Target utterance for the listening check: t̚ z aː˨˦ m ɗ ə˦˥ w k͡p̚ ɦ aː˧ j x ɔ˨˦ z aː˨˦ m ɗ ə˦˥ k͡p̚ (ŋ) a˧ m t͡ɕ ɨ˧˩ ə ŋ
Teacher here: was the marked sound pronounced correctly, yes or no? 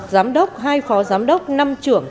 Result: no